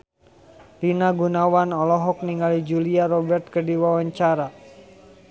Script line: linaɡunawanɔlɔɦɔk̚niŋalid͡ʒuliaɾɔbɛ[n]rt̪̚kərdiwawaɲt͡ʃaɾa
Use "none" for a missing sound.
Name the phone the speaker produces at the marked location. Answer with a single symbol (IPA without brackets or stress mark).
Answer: none